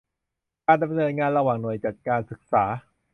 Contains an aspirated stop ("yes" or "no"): no